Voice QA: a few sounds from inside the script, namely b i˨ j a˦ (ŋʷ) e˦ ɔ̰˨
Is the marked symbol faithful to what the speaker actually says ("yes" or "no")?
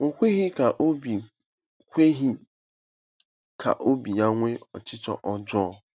yes